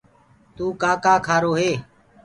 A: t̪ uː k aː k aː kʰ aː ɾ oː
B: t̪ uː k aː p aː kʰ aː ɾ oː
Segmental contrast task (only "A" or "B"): A